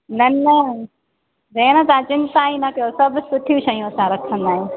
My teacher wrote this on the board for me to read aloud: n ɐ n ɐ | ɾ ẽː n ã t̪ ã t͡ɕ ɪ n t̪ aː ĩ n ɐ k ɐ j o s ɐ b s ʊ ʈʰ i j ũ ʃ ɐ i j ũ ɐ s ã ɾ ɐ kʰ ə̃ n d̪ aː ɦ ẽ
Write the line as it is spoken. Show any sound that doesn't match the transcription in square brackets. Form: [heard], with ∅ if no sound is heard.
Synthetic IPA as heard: n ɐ n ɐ | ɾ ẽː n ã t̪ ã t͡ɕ ɪ n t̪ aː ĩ n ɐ k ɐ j o s ɐ b s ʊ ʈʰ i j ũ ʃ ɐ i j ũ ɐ s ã ɾ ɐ kʰ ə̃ n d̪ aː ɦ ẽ